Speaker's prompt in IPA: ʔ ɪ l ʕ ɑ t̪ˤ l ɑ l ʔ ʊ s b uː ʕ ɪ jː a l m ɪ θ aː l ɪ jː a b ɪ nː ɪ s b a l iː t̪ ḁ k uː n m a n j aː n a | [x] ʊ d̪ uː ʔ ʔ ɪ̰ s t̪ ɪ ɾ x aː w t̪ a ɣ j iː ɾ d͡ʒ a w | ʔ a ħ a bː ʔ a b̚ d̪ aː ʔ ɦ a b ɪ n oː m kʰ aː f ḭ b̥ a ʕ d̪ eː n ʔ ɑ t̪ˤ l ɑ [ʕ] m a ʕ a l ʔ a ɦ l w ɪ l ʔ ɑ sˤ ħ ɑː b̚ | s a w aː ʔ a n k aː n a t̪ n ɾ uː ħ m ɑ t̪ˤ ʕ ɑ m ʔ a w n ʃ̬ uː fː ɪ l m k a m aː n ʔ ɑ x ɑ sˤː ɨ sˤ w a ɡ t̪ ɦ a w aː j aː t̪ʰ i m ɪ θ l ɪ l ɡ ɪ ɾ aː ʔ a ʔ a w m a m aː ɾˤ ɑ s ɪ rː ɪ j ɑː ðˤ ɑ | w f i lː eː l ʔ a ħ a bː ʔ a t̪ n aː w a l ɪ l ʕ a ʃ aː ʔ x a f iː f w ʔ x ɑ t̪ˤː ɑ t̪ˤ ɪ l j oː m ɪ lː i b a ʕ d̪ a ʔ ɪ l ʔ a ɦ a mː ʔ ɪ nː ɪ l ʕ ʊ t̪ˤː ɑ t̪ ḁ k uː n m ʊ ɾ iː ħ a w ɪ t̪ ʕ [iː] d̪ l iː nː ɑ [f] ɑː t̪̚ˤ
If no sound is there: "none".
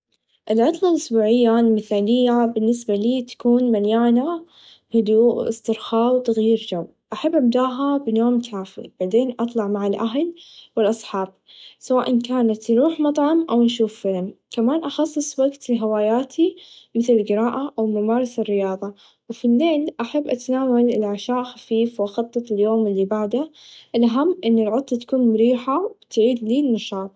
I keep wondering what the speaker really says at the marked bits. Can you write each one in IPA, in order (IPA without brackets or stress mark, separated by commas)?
h, ʕ, iː, ʃ